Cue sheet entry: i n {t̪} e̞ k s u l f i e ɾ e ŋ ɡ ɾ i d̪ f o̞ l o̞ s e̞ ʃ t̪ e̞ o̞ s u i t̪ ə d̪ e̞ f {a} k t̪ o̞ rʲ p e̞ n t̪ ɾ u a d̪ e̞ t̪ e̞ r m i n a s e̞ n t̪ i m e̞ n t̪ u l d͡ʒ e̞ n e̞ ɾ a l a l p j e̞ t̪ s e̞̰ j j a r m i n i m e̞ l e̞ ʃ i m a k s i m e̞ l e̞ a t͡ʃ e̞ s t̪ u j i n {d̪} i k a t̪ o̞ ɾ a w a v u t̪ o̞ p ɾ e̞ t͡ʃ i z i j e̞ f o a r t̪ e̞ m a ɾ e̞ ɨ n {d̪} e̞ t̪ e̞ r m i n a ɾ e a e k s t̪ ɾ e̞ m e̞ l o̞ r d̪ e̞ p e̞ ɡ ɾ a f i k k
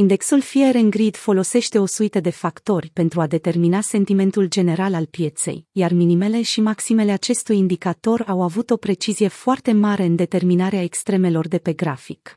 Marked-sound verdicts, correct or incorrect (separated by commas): incorrect, correct, correct, correct